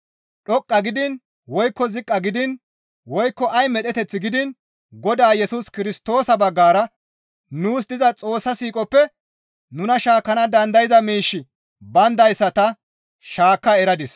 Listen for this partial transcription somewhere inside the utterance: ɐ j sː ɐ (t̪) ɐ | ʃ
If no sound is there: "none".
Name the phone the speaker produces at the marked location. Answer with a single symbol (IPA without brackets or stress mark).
t̪